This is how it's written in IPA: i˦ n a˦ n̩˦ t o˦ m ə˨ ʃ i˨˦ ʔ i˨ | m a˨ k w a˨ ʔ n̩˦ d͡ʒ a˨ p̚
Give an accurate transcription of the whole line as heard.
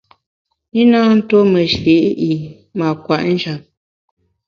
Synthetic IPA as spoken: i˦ n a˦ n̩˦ t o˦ m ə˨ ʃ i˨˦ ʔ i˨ | m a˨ k w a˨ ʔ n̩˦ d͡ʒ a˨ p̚